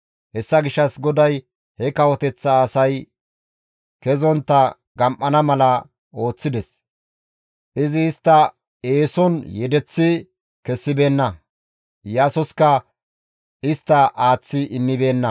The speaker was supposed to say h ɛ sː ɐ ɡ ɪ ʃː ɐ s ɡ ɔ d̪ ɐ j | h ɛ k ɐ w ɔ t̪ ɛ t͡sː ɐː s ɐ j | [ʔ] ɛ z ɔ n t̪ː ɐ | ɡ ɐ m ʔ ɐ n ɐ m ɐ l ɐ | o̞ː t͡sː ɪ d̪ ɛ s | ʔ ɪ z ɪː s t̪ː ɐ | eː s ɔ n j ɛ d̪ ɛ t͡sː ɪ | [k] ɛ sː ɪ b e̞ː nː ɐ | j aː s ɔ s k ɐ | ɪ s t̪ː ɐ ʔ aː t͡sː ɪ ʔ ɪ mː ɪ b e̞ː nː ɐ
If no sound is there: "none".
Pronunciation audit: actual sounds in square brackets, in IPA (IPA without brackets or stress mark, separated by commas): k, k